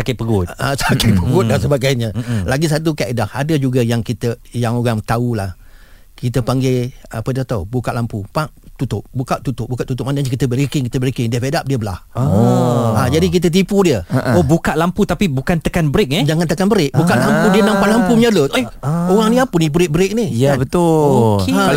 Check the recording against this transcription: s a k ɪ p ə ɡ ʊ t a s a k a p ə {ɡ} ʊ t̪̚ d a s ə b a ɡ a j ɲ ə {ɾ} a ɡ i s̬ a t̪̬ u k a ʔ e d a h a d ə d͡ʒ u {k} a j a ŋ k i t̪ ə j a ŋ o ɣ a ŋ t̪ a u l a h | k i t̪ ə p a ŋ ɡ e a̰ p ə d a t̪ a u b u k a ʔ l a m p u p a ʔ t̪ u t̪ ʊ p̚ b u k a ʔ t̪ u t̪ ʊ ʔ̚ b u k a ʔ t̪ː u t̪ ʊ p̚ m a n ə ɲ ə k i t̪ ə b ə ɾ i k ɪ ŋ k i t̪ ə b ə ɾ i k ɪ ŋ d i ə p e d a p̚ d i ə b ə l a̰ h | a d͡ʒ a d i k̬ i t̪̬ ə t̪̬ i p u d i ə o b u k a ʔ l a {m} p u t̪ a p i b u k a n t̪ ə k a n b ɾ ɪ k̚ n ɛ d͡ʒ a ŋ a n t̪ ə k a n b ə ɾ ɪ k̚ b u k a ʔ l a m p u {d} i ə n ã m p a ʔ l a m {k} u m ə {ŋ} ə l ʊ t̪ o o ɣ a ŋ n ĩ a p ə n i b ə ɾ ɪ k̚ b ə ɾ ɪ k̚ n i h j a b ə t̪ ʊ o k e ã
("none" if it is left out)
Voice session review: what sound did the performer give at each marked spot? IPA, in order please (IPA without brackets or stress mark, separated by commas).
ɡ, l, ɡ, m, d, p, ɲ